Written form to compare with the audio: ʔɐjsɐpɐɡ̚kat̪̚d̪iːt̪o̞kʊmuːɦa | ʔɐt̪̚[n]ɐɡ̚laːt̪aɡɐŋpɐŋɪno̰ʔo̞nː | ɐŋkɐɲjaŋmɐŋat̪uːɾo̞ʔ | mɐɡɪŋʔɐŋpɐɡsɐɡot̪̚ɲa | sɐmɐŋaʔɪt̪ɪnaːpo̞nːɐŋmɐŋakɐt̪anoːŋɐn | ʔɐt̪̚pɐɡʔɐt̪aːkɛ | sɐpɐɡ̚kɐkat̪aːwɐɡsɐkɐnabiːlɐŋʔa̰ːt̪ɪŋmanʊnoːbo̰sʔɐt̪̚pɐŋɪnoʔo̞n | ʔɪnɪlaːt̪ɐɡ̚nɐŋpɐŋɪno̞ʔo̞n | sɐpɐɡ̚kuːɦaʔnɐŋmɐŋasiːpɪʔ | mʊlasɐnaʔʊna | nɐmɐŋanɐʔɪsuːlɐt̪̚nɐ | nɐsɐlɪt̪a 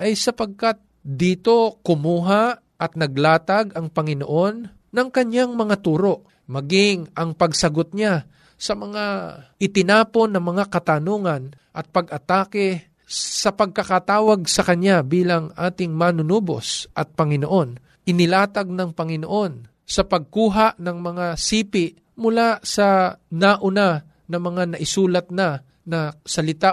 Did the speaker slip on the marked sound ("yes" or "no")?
no